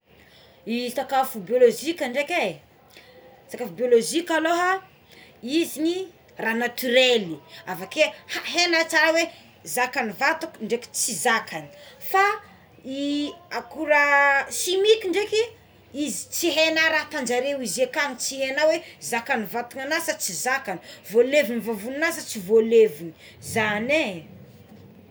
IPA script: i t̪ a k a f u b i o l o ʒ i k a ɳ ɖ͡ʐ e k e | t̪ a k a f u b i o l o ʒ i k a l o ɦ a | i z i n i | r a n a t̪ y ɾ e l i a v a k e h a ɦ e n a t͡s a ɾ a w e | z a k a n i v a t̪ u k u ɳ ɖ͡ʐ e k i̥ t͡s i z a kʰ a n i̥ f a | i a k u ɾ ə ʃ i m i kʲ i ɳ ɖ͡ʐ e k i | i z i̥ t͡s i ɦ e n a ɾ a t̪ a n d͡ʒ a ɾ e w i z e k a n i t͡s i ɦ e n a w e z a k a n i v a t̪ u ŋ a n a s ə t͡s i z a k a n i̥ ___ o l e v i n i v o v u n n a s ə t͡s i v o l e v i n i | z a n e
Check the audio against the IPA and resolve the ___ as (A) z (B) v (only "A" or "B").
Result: B